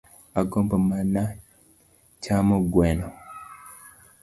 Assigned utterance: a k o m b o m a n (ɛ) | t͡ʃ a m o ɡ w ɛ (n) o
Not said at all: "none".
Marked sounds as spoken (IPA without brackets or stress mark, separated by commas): a, n